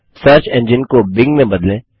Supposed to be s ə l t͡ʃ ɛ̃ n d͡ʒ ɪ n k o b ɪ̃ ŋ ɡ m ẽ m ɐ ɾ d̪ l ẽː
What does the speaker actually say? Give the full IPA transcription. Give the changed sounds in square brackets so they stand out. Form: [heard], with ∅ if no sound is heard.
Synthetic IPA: s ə [ɾ] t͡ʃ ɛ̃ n d͡ʒ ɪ n k o b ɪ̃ ŋ ɡ m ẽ [b] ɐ [∅] d̪ l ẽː